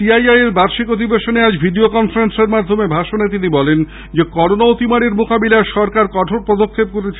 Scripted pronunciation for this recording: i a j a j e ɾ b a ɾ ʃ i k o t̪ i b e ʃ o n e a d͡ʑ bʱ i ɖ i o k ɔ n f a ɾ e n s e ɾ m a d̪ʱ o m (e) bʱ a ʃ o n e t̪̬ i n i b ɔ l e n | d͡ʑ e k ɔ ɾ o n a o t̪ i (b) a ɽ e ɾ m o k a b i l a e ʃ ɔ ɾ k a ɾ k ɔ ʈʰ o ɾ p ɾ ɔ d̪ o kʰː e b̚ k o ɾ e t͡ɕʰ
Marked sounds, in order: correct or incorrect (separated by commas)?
correct, incorrect